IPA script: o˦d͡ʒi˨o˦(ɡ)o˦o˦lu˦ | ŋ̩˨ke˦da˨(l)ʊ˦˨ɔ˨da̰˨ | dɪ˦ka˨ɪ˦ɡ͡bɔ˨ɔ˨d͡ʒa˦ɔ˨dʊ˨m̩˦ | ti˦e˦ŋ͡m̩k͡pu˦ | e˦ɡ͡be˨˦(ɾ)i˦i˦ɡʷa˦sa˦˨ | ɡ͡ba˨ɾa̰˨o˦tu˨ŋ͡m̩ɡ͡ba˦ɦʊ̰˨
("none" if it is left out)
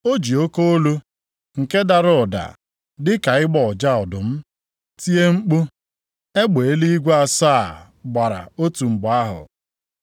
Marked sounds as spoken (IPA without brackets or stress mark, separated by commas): k, ɾ, l